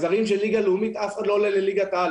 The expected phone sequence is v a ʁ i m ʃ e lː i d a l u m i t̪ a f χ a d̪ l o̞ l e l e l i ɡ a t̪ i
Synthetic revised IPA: z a ʁ i m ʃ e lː i ɡ a l u m i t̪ a f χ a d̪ l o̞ l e l e l i ɡ a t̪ a